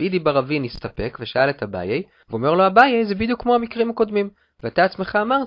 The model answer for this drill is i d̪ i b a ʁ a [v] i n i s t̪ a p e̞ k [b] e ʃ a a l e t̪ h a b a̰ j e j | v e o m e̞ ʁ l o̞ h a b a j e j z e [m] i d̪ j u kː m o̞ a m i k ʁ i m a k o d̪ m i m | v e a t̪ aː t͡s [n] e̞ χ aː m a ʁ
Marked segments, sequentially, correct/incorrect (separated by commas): correct, incorrect, incorrect, incorrect